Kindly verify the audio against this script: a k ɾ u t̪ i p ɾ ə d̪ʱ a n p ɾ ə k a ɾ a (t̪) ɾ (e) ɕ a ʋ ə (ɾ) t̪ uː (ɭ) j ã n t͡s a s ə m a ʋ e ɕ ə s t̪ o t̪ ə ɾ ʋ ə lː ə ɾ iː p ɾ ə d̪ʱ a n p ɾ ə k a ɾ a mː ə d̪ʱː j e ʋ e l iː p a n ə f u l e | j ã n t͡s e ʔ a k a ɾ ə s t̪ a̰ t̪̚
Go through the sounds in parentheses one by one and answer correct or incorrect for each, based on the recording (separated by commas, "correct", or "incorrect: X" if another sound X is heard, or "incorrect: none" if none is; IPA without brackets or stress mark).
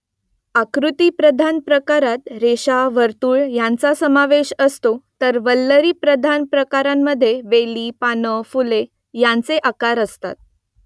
correct, correct, correct, correct